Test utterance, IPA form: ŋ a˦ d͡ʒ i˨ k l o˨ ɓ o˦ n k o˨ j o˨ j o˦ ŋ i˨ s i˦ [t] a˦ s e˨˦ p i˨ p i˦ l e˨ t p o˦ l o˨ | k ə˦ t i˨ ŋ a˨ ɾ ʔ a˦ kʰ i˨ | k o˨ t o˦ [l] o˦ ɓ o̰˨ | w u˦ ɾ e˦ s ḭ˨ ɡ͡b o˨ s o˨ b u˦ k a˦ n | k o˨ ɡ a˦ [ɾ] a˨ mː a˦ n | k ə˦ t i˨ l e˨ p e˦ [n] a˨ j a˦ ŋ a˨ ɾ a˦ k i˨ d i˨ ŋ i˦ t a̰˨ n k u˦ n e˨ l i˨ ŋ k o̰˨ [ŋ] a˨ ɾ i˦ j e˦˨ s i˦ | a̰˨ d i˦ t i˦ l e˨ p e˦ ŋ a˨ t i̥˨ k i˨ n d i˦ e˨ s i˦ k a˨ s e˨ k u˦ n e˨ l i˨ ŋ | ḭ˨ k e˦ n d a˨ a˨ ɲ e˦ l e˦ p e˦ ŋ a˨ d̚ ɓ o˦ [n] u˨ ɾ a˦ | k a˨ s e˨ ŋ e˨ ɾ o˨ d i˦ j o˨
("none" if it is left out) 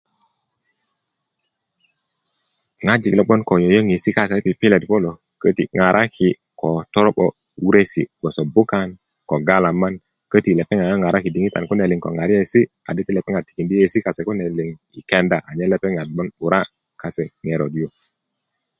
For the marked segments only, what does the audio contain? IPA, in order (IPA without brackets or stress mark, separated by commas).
k, ɾ, l, ŋ, ŋ, n